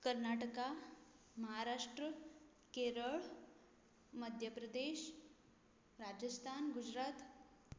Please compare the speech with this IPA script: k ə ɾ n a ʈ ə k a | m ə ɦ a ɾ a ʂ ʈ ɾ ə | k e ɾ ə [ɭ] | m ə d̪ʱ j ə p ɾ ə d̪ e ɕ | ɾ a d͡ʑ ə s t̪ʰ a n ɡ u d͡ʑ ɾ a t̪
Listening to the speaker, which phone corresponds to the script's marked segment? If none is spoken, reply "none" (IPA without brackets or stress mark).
ɭ